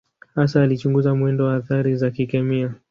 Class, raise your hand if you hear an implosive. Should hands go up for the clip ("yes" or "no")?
no